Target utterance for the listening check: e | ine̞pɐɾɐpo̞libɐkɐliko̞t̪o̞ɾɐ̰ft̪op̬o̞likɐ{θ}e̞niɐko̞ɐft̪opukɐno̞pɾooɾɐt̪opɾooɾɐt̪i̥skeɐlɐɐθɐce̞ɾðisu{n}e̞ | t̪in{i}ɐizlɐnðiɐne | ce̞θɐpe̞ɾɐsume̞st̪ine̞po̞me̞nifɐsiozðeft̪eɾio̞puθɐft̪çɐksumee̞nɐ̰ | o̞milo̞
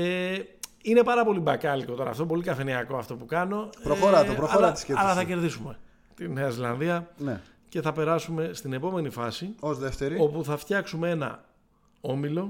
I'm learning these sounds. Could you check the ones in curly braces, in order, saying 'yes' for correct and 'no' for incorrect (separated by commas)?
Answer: no, no, no